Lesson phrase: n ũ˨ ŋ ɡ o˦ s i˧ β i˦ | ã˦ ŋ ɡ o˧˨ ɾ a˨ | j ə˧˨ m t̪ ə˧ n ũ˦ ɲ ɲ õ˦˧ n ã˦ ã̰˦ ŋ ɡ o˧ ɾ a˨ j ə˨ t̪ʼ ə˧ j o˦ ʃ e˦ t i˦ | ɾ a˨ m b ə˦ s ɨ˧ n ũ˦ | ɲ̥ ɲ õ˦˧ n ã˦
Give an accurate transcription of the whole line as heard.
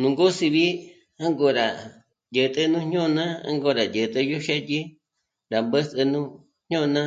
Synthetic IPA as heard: n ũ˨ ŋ ɡ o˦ s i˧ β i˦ | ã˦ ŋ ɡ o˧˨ ɾ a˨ | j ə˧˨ t̪ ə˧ n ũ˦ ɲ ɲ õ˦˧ n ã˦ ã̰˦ ŋ ɡ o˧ ɾ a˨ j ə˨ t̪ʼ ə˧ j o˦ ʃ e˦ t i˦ | ɾ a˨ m b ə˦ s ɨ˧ n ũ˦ | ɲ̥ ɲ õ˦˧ n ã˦